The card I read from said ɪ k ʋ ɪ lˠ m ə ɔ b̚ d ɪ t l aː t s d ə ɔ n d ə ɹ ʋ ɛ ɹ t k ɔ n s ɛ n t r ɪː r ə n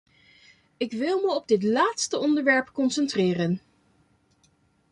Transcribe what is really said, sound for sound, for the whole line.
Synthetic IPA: ɪ k ʋ ɪ lˠ m ə ɔ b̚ d ɪ t l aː t s t ə ɔ n d ə ɹ ʋ ɛ ɹ p k ɔ n s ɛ n t r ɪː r ə n